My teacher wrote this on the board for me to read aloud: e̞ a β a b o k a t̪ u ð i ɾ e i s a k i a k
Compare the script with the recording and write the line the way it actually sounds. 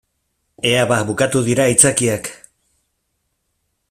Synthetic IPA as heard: e̞ a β a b u k a t̪ u ð i ɾ a i t͡s a k i a k